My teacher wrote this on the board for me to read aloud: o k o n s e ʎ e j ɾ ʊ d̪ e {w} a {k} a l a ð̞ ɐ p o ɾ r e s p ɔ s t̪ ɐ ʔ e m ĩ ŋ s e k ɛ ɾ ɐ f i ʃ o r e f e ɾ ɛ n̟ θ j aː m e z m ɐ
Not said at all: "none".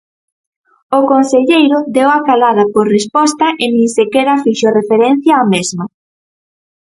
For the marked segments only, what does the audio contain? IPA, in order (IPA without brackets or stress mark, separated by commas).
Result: w, k